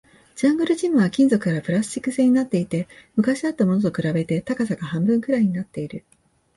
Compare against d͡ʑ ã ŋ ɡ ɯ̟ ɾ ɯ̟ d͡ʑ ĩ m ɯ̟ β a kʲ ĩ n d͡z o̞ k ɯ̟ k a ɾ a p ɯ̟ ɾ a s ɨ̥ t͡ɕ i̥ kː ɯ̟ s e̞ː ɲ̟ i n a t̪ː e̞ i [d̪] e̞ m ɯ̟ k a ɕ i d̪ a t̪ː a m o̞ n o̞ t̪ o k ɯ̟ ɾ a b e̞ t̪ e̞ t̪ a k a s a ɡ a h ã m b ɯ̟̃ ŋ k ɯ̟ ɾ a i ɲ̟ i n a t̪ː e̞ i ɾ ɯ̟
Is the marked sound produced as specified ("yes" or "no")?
no